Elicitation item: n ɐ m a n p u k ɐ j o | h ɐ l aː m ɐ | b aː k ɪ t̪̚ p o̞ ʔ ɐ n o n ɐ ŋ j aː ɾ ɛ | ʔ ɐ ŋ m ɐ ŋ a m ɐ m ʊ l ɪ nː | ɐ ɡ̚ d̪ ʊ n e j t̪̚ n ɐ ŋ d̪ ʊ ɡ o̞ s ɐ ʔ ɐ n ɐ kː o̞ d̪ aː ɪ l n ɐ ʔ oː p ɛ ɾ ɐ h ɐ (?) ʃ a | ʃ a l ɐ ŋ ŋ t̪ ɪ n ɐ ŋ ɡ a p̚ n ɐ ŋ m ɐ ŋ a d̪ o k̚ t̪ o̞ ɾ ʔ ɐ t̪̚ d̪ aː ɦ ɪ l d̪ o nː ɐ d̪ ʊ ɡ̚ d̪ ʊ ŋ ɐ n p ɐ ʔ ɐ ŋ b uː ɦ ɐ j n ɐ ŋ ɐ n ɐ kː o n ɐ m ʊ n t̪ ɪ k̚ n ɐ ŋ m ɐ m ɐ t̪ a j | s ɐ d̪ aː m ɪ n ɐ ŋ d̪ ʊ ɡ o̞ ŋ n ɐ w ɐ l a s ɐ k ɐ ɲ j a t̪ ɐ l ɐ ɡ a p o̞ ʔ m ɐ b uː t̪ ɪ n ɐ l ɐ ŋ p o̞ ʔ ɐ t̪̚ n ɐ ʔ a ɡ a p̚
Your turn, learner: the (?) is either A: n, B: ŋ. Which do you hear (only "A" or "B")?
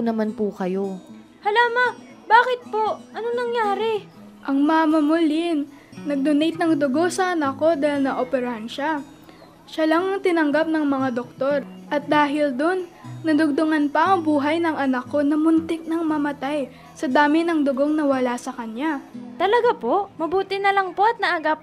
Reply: A